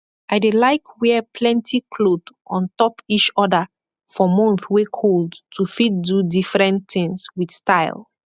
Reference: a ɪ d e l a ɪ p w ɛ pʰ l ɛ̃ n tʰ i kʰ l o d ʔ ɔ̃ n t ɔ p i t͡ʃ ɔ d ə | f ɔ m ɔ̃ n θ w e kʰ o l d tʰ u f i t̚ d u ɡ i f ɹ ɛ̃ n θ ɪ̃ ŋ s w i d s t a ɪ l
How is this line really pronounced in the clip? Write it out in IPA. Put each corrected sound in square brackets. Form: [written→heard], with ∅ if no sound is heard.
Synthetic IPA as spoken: a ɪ d e l a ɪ [p→k] w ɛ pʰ l ɛ̃ n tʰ i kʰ l o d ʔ ɔ̃ n t ɔ p i t͡ʃ ɔ d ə | f ɔ m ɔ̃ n θ w e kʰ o l d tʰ u f i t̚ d u [ɡ→d] i f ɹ ɛ̃ n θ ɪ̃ ŋ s w i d s t a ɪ l